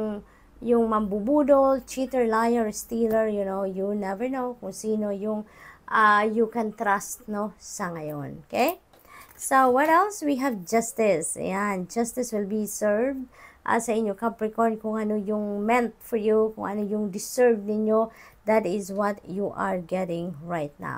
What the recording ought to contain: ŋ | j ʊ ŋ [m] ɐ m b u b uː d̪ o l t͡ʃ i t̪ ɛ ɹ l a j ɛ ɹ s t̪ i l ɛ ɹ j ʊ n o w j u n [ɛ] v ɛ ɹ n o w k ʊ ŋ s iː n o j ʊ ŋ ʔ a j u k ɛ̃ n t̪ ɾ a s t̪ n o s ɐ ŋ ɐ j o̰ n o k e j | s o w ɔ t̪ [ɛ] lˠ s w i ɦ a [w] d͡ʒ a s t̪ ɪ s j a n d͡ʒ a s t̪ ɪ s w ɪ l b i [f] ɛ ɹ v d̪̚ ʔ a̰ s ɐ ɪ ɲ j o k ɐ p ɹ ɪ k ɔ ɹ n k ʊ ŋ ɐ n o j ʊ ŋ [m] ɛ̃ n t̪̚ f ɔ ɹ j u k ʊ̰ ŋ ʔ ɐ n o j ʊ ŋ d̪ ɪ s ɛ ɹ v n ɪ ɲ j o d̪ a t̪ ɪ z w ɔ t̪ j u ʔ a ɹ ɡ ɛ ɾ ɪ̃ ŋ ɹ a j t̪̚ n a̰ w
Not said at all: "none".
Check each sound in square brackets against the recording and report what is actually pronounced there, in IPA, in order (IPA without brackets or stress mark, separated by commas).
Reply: m, ɛ, ɛ, v, s, m